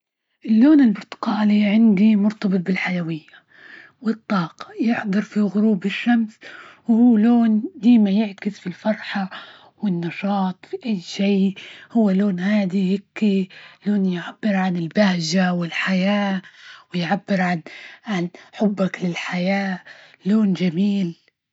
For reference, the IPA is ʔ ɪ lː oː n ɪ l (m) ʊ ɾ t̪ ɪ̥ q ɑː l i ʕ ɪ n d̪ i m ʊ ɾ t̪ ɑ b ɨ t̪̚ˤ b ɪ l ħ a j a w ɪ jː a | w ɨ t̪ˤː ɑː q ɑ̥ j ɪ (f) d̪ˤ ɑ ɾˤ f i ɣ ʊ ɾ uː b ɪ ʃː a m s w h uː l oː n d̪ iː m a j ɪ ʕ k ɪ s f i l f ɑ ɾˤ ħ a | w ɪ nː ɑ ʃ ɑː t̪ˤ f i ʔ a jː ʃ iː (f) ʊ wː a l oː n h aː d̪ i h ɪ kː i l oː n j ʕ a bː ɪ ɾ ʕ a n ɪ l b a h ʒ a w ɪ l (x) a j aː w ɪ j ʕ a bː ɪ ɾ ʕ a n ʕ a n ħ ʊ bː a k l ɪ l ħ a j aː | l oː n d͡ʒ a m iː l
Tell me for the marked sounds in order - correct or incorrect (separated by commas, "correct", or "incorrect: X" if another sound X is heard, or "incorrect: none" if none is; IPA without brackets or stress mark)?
incorrect: b, incorrect: ħ, incorrect: h, incorrect: ħ